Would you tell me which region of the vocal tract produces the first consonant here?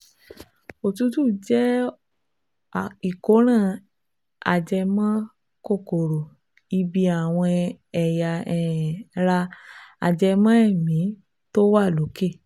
tongue tip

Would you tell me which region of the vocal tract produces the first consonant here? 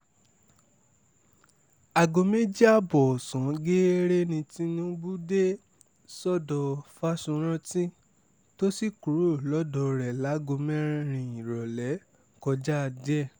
velum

